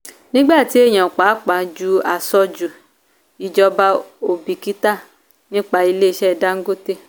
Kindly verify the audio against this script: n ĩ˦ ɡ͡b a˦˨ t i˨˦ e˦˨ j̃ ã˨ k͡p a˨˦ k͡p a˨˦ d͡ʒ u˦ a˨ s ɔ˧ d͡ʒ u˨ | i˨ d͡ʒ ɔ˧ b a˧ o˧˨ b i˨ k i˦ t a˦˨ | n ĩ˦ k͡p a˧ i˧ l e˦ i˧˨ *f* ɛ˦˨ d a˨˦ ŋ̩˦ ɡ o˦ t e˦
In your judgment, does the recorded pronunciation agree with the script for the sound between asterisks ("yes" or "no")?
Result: no